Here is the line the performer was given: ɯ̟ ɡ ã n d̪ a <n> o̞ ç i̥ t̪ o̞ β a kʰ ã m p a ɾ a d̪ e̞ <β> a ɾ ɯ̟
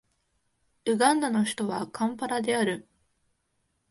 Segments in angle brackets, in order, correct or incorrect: correct, incorrect: none

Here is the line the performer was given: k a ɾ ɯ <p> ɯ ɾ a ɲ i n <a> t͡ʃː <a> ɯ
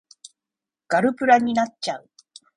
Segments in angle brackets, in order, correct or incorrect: correct, correct, correct

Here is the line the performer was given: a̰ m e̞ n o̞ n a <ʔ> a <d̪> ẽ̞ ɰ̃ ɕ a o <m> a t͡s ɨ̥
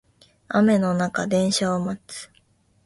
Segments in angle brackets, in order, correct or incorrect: incorrect: k, correct, correct

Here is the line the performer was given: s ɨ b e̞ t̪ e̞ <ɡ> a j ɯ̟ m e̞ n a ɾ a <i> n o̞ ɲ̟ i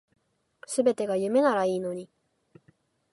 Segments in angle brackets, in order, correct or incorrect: correct, incorrect: iː

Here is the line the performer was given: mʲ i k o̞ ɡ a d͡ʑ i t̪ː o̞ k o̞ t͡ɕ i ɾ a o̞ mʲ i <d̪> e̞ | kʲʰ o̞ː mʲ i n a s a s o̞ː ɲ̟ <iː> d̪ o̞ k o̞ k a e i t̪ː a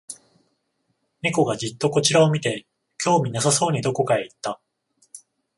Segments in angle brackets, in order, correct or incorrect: incorrect: t̪, incorrect: i

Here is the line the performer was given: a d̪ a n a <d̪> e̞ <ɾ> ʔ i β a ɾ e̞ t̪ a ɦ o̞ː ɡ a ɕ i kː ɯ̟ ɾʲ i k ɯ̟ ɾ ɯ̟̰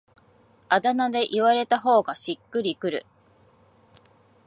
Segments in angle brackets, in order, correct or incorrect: correct, incorrect: none

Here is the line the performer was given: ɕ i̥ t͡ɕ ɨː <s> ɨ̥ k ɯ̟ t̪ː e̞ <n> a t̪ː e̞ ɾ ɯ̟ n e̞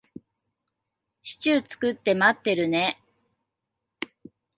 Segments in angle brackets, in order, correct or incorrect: incorrect: t͡s, incorrect: m

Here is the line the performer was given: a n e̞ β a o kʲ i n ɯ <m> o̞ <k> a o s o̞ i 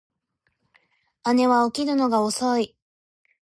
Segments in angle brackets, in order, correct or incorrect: incorrect: n, incorrect: ɡ

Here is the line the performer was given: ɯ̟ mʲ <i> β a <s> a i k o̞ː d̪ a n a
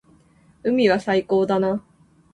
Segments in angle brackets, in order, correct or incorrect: correct, correct

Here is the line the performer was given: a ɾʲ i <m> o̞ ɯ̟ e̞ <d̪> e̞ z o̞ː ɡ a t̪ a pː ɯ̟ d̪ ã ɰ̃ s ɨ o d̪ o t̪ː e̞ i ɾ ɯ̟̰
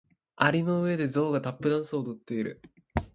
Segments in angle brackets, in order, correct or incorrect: incorrect: n, correct

